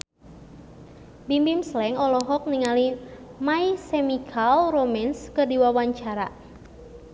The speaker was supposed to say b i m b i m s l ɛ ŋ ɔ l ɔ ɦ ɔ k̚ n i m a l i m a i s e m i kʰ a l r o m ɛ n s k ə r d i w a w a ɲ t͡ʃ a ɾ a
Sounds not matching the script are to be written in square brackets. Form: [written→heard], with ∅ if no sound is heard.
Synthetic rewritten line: b i m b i m s l ɛ ŋ ɔ l ɔ ɦ ɔ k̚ n i [m→ŋ] a l i m a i s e m i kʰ a l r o m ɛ n s k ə r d i w a w a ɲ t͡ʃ a ɾ a